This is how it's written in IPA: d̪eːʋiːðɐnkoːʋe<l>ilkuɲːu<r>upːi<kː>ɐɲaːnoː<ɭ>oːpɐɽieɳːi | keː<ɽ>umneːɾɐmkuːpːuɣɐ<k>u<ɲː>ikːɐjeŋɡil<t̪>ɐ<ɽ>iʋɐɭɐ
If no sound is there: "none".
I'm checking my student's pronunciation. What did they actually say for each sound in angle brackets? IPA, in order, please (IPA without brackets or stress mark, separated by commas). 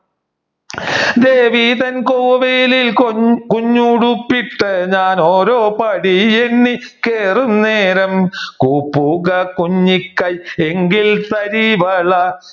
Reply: l, ɽ, ʈː, ɾ, r, k, ɲː, t̪, ɾ